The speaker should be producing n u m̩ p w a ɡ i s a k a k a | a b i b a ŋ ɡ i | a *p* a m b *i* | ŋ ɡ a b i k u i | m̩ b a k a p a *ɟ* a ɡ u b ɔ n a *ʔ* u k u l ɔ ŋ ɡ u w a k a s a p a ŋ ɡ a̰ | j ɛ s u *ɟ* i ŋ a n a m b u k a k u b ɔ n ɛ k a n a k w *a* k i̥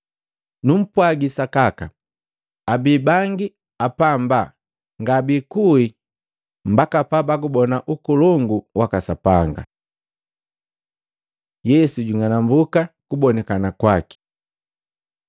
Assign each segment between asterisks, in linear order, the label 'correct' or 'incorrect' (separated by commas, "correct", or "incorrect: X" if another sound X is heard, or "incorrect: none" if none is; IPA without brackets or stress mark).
correct, incorrect: a, incorrect: b, correct, correct, correct